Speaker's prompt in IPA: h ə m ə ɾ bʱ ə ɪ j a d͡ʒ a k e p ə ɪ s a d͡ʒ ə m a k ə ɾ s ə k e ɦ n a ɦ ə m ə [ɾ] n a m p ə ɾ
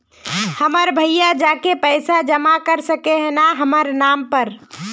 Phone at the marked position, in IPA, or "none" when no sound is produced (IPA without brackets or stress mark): ɾ